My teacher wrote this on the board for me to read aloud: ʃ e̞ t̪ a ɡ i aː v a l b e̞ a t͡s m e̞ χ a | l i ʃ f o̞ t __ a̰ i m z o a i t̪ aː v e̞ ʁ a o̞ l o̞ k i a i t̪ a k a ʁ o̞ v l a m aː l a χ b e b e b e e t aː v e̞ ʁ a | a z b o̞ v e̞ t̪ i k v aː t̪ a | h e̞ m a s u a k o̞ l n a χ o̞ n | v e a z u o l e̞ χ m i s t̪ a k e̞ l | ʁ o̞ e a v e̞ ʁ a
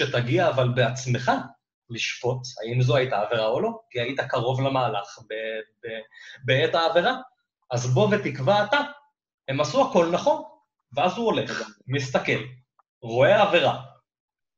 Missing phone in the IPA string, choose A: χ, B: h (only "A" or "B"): B